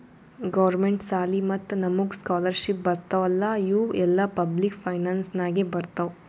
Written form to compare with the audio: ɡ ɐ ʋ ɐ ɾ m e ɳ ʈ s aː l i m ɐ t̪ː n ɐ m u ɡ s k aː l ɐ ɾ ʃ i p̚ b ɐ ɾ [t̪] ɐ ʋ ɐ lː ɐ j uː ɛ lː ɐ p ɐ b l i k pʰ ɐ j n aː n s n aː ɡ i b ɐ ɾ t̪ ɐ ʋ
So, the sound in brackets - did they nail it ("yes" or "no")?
yes